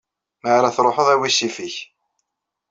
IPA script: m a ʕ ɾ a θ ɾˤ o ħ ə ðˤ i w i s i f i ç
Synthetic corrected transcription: m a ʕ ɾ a θ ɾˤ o ħ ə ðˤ æ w i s i f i ç